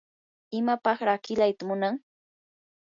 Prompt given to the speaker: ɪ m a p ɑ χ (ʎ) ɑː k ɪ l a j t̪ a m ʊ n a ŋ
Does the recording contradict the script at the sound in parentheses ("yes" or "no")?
yes